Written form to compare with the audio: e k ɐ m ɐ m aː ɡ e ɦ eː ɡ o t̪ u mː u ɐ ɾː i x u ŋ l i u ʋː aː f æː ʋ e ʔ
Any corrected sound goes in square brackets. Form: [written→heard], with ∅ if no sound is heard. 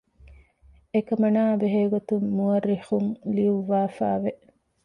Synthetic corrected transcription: e k ɐ m ɐ [m→n] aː [ɡ→b] e ɦ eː ɡ o t̪ u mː u ɐ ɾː i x u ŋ l i u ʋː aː f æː ʋ e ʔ

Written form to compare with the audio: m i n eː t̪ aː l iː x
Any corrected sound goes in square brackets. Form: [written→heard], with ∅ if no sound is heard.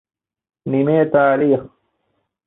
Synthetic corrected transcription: [m→n] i [n→m] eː t̪ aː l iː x

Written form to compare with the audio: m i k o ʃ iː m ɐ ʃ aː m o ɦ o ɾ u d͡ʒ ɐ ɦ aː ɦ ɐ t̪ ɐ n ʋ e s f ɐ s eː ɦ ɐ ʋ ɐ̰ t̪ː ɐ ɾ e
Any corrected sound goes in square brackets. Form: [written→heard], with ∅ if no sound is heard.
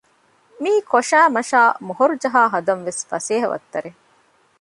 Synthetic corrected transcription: m [i→iː] k o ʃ [iː→æː] m ɐ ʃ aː m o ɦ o ɾ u d͡ʒ ɐ ɦ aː ɦ ɐ [t̪→d̪] ɐ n ʋ e s f ɐ s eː ɦ ɐ ʋ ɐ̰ t̪ː ɐ ɾ e

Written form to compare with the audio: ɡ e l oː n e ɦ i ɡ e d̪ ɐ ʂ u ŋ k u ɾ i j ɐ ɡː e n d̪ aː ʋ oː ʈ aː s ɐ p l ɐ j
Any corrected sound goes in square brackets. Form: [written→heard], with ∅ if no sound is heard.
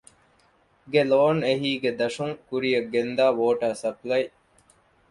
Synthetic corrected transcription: ɡ e l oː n e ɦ [i→iː] ɡ e d̪ ɐ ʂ u ŋ k u ɾ i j ɐ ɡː e n d̪ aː ʋ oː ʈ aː s ɐ p l ɐ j

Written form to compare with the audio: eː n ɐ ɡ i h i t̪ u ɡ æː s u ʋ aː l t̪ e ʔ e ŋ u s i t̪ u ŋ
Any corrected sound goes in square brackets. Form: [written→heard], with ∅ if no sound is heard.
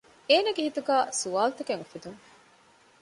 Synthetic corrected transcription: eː n ɐ ɡ [i→e] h i t̪ u ɡ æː s u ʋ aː l t̪ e [ʔ→k] e ŋ u [s→f] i [t̪→d̪] u ŋ

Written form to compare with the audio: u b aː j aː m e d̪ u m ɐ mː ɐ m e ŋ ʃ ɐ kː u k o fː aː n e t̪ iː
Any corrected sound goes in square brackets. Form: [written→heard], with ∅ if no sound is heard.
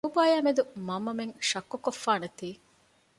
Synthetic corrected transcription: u b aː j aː m e d̪ u m ɐ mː ɐ m e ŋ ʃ ɐ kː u k o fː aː n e t̪ iː

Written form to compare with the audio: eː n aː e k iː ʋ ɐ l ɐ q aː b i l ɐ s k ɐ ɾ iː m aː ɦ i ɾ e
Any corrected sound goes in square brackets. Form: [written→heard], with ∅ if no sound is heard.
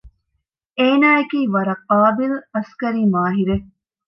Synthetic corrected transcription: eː n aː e k iː ʋ ɐ [l→ɾ] ɐ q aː b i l ɐ s k ɐ ɾ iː m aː ɦ i ɾ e

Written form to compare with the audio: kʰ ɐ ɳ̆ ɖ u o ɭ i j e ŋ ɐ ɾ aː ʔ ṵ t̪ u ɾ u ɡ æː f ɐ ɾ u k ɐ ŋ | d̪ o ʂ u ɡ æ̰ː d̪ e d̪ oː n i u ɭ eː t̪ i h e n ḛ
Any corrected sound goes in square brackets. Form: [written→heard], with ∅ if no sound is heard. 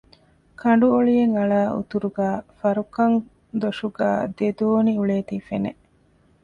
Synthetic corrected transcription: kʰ ɐ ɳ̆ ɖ u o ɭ i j e ŋ ɐ [ɾ→ɭ] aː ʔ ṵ t̪ u ɾ u ɡ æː f ɐ ɾ u k ɐ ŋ | d̪ o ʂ u ɡ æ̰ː d̪ e d̪ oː n i u ɭ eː t̪ i [h→f] e n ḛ

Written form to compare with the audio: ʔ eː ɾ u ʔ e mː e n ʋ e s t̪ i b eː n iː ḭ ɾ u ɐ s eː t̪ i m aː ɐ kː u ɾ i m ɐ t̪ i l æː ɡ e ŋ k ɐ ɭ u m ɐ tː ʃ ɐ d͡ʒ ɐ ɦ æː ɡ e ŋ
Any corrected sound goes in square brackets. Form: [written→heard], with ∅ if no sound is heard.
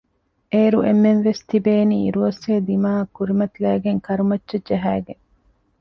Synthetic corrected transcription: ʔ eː ɾ u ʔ e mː e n ʋ e s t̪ i b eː n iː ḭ ɾ u ɐ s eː [t̪→d̪] i m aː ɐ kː u ɾ i m ɐ t̪ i l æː ɡ e ŋ k ɐ [ɭ→ɾ] u m ɐ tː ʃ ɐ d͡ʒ ɐ ɦ æː ɡ e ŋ

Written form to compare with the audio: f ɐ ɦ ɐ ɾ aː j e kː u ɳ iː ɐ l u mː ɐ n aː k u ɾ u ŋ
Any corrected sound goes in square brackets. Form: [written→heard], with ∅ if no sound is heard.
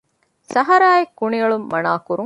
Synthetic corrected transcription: [f→s] ɐ ɦ ɐ ɾ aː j e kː u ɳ [iː→i] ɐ [l→ɭ] u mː ɐ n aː k u ɾ u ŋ

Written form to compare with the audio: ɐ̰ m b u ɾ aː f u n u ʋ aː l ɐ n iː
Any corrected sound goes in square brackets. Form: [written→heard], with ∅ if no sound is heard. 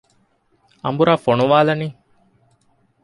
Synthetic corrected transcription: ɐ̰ m b u ɾ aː f [u→o] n u ʋ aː l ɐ n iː

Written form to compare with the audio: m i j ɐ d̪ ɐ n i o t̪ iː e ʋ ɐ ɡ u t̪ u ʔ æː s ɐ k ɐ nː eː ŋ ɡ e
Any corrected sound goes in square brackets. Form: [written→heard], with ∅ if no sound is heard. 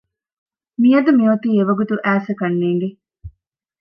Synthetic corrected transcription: m i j ɐ d̪ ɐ [n→m] i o t̪ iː e ʋ ɐ ɡ u t̪ u ʔ æː s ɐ k ɐ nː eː ŋ ɡ e

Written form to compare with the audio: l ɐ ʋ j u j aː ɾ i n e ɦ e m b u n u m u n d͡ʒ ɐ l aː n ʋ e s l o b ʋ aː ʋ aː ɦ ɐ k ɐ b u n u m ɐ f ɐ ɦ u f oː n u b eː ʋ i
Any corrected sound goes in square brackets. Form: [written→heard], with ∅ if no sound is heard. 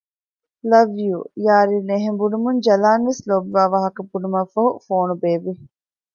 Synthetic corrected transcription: l ɐ ʋ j u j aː ɾ i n e ɦ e m b u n u m u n d͡ʒ ɐ l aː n ʋ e s l o b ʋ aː ʋ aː ɦ ɐ k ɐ b u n u m ɐ f ɐ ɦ u f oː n u b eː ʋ i

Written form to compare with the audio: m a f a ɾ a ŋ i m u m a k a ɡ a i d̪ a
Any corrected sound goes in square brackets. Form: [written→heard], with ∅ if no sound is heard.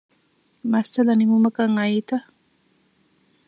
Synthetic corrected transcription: m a [f→s] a [ɾ→l] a [ŋ→n] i m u m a k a [ɡ→ŋ] a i [d̪→t̪] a

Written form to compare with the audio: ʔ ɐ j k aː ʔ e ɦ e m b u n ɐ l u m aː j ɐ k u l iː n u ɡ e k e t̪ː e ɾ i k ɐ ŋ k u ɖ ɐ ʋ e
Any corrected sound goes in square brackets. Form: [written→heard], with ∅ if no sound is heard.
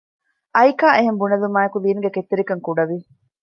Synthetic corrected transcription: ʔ ɐ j k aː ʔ e ɦ e m b u n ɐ l u m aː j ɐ k u l iː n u ɡ e k e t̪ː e ɾ i k ɐ ŋ k u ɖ ɐ ʋ [e→i]

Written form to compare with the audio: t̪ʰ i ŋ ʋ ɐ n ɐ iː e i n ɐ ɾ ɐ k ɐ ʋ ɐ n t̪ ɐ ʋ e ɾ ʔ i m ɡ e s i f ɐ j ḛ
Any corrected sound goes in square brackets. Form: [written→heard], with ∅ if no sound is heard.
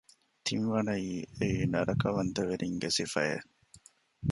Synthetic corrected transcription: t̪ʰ i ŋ ʋ ɐ n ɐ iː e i n ɐ ɾ ɐ k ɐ ʋ ɐ n t̪ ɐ ʋ e ɾ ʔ i [m→ŋ] ɡ e s i f ɐ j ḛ

